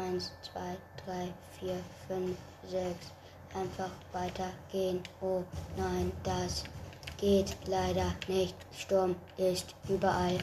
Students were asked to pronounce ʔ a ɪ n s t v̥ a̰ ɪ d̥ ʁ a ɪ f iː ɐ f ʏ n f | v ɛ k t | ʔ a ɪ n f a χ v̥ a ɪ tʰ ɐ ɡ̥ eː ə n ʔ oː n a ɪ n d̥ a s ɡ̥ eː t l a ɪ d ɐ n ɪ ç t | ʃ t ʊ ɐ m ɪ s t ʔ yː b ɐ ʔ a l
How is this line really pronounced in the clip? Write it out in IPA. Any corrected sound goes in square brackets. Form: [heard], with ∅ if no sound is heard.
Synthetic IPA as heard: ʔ a ɪ n s [t͡s] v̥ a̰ ɪ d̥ ʁ a ɪ f iː ɐ f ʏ n f | [z] ɛ k [s] | ʔ a ɪ n f a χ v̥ a ɪ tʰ ɐ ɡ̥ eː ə n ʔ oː n a ɪ n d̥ a s ɡ̥ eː t l a ɪ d ɐ n ɪ ç t | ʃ t ʊ ɐ m ɪ s t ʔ yː b ɐ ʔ a l